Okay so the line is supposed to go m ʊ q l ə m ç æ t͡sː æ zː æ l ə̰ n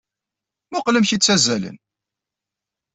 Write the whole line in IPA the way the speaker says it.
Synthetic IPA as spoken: m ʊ q l ə m ç i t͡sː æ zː æ l ə̰ n